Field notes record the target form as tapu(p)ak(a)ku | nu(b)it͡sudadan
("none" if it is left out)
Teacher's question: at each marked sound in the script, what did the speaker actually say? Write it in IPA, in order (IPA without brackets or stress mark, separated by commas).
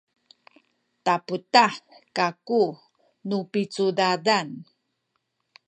t, a, p